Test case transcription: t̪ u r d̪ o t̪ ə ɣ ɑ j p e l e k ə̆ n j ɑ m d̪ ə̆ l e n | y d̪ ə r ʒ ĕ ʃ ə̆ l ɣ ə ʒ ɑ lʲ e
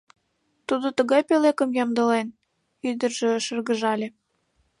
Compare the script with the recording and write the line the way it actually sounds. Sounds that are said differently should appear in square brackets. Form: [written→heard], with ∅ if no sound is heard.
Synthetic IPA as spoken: t̪ u [r→∅] d̪ o t̪ ə ɣ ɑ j p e l e k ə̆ [n→m] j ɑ m d̪ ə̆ l e n | y d̪ ə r ʒ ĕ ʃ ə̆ [l→r] ɣ ə ʒ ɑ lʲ e